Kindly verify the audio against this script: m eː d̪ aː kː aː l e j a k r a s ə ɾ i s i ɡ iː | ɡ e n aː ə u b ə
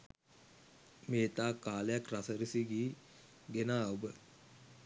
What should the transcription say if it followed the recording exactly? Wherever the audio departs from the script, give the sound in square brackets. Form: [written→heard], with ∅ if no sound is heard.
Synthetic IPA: m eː [d̪→t̪] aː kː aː l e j a k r a s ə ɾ i s i ɡ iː | ɡ e n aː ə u b ə